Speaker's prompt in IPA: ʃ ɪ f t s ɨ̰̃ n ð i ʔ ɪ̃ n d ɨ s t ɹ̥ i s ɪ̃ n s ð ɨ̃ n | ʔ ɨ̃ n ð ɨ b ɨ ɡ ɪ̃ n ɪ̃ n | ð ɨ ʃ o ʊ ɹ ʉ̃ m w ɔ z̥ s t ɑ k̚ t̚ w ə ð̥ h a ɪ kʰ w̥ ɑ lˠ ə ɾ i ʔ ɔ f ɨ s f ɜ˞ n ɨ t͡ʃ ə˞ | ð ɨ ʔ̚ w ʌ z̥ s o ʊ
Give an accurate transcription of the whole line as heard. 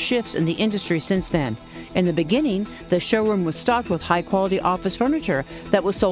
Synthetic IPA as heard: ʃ ɪ f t s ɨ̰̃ n ð i ʔ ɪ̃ n d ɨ s t ɹ̥ i s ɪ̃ n s ð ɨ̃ n | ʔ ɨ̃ n ð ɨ b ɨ ɡ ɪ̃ n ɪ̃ ŋ | ð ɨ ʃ o ʊ ɹ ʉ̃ m w ʌ z̥ s t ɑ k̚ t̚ w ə ð̥ h a ɪ kʰ w̥ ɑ lˠ ə ɾ i ʔ ɔ f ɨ s f ɜ˞ n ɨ t͡ʃ ə˞ | ð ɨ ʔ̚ w ʌ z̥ s o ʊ